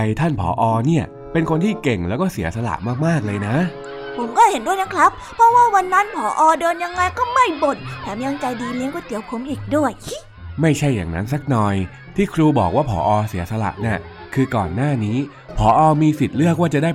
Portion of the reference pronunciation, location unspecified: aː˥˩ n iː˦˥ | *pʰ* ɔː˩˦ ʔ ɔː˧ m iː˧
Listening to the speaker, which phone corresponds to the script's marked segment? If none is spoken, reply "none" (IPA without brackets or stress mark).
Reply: pʰ